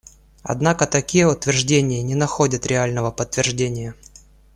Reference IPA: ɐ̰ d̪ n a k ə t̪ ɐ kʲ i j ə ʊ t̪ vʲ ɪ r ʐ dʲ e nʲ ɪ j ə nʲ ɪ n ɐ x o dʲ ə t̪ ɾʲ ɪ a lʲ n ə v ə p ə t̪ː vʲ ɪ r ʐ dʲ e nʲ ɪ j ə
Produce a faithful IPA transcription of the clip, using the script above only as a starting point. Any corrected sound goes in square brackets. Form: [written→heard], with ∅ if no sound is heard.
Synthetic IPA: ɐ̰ d̪ n a k ə t̪ ɐ kʲ i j ə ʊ t̪ vʲ ɪ r ʐ dʲ e nʲ ɪ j ə nʲ ɪ n ɐ x o dʲ ə t̪ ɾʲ ɪ a lʲ n ə v ə p ə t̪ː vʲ ɪ r ʐ dʲ e nʲ ɪ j ə